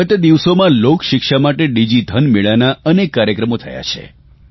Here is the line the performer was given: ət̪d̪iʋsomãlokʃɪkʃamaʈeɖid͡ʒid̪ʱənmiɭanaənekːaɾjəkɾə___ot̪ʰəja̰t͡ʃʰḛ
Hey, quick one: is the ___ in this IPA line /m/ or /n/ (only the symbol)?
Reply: m